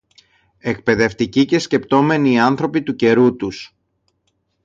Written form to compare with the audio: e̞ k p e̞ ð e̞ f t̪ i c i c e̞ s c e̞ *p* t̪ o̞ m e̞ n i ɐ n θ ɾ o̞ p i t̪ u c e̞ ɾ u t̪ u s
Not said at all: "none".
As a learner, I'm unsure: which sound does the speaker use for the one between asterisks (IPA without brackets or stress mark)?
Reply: p